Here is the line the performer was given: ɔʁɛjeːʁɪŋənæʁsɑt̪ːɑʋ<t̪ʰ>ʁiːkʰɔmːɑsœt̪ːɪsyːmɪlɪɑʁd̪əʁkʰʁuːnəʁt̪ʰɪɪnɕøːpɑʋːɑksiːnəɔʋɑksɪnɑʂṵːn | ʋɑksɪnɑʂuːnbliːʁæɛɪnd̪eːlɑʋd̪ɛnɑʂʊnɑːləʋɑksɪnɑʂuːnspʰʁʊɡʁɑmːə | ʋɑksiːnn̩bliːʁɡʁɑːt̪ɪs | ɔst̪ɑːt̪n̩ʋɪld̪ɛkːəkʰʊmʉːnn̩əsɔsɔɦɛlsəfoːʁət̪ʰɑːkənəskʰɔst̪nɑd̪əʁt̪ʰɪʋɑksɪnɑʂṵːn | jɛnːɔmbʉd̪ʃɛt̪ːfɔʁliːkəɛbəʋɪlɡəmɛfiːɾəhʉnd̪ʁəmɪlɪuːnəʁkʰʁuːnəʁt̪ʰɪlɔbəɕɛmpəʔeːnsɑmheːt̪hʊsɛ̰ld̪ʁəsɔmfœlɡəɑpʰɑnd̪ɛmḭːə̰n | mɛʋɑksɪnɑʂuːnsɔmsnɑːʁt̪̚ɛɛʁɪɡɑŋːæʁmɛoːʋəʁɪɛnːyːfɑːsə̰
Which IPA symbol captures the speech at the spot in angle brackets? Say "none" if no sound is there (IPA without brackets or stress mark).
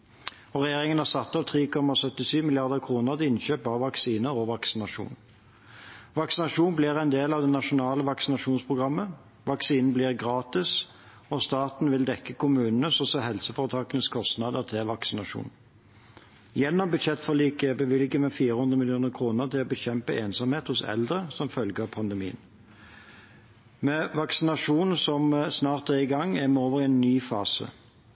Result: t̪ʰ